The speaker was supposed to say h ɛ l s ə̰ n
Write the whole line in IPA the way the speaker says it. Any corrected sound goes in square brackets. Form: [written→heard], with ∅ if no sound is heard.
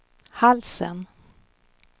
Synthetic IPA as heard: h [ɛ→a] l s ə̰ n